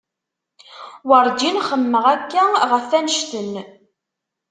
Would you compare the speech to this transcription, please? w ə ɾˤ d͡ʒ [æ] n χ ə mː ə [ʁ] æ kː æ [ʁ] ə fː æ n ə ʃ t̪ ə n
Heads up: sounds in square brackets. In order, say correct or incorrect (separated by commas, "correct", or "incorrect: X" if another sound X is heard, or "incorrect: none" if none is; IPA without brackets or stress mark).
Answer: incorrect: i, correct, correct